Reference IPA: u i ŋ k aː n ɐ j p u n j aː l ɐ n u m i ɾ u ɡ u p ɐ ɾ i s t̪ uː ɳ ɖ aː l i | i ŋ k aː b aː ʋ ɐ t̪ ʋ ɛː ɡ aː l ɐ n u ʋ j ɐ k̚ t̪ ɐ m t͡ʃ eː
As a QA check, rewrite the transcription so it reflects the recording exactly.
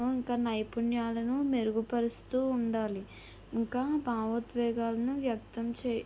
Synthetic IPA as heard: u i ŋ k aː n ɐ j p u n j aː l ɐ n u m e ɾ u ɡ u p ɐ ɾ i s t̪ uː ɳ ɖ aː l i | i ŋ k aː b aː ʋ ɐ t̪ ʋ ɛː ɡ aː l ɐ n u ʋ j ɐ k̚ t̪ ɐ m t͡ʃ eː